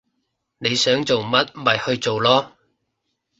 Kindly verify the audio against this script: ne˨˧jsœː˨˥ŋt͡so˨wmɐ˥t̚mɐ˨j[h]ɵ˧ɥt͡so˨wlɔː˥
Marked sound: correct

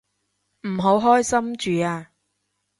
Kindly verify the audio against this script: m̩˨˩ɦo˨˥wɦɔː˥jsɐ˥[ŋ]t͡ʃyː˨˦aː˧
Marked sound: incorrect: m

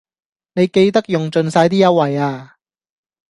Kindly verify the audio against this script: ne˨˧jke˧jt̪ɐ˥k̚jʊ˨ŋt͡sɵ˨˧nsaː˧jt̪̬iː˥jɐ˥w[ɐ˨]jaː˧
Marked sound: correct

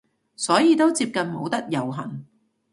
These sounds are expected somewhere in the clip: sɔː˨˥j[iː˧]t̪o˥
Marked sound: correct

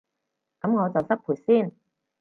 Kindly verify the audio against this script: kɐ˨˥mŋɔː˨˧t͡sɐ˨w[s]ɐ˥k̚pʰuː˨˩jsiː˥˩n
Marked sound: correct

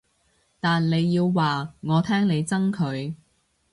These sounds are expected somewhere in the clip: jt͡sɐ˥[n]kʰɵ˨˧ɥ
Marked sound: incorrect: ŋ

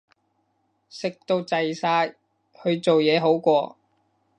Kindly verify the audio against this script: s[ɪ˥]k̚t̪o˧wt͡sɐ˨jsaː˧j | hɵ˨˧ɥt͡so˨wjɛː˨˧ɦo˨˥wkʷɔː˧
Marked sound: incorrect: ɪ˨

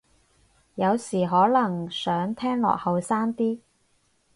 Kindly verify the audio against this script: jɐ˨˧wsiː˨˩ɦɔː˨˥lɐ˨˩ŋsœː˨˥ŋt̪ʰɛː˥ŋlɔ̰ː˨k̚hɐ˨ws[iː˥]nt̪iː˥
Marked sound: incorrect: aː˥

